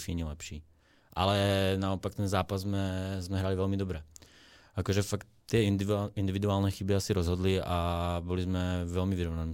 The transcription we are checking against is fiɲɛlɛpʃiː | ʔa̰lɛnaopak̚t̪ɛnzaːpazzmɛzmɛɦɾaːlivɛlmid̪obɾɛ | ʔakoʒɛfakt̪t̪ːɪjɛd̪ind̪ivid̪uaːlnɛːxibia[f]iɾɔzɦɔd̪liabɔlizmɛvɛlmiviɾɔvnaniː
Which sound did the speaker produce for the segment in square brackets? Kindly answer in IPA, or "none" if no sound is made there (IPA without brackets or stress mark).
s